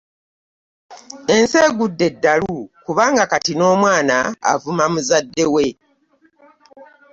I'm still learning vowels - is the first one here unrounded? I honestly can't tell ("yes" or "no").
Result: yes